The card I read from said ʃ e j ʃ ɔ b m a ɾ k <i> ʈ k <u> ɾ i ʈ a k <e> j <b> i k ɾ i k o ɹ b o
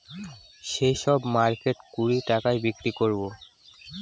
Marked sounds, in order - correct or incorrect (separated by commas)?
incorrect, correct, incorrect, correct